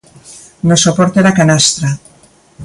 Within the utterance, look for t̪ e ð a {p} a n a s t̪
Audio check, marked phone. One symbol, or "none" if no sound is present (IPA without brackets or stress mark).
k